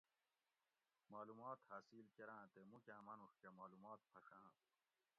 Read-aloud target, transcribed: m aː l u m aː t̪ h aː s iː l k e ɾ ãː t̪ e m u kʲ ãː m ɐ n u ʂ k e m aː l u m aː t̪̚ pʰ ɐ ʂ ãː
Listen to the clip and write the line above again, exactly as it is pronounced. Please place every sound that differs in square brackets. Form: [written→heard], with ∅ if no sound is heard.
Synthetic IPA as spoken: m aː l u m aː t̪ h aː s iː l k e ɾ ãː t̪ e m u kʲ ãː m ɐ n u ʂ k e m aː l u m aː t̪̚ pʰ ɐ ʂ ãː